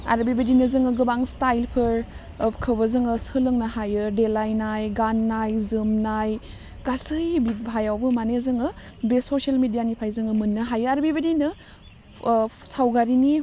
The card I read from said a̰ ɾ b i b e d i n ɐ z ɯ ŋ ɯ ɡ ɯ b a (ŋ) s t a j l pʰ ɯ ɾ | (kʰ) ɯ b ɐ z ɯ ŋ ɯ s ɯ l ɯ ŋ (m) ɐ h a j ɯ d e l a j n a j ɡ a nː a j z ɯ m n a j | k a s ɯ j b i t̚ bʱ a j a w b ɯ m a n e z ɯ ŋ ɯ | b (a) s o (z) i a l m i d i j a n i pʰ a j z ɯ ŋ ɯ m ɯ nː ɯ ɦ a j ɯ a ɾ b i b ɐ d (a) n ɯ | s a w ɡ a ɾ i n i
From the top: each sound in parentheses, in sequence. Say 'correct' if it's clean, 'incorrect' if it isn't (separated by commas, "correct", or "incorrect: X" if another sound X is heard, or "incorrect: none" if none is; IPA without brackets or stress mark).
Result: correct, correct, incorrect: n, incorrect: e, incorrect: s, incorrect: i